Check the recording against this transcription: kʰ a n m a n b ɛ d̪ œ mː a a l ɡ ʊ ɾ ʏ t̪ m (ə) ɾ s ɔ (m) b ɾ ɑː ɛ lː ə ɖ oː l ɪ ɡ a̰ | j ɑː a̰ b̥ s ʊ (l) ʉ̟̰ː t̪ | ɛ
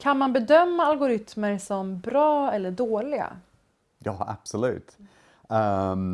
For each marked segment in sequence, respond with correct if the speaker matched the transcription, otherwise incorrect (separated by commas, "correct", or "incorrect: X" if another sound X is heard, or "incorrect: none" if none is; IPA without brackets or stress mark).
correct, correct, correct